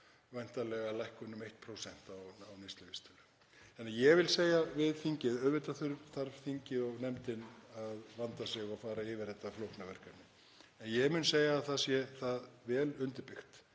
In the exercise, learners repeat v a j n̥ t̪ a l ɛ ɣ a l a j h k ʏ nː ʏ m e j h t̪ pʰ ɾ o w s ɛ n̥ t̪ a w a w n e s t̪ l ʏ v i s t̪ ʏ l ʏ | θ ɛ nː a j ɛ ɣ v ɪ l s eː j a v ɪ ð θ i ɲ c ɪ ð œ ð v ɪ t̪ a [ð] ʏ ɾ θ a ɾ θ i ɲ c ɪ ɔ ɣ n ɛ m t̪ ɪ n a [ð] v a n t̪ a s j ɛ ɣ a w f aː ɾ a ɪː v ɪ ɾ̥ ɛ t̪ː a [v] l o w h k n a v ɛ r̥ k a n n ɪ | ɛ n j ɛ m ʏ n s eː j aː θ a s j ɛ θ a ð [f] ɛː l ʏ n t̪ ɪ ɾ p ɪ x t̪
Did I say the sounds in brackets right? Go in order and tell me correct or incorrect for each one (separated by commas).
incorrect, correct, incorrect, incorrect